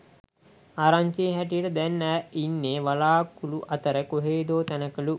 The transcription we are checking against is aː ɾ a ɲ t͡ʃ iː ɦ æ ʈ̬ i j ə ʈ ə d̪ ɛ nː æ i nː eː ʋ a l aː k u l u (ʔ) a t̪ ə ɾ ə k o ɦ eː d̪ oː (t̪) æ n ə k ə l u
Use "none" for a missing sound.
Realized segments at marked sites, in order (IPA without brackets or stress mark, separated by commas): ʔ, t̪